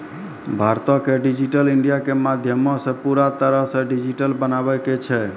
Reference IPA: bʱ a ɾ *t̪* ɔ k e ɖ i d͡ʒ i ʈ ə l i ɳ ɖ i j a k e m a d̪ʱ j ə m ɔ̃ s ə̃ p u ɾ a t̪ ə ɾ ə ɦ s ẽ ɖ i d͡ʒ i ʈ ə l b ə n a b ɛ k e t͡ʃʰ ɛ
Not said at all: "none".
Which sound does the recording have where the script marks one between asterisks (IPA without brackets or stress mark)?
t̪